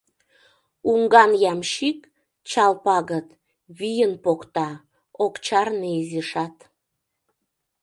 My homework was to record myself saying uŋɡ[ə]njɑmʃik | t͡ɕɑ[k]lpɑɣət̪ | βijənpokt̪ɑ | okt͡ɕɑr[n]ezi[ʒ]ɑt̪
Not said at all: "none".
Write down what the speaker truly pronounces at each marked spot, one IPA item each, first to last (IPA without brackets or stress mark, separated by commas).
ɑ, none, n, ʃ